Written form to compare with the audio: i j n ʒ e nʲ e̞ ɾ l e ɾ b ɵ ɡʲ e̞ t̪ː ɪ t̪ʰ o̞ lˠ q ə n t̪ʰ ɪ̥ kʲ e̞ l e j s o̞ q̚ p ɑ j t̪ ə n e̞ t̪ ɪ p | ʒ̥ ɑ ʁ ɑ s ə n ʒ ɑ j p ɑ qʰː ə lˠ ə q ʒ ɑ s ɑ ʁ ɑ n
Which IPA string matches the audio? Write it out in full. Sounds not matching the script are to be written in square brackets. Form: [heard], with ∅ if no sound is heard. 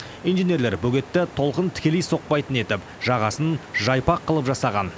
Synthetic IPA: i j n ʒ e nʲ e̞ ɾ l e ɾ b ɵ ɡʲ e̞ t̪ː ɪ t̪ʰ o̞ lˠ q ə n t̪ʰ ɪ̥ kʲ e̞ l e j s o̞ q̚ p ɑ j t̪ ə n e̞ t̪ ɪ p | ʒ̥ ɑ ʁ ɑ s ə n ʒ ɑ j p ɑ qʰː ə lˠ ə [p] ʒ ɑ s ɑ ʁ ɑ n